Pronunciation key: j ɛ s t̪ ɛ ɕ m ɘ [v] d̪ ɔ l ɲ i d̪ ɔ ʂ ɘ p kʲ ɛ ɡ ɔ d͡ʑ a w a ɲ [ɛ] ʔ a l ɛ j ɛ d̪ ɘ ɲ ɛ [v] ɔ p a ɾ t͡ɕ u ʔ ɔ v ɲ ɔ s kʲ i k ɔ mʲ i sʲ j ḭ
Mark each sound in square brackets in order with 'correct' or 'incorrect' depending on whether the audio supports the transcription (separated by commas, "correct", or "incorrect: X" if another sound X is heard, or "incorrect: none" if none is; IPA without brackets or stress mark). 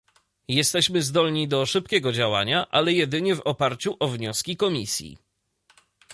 incorrect: z, incorrect: a, correct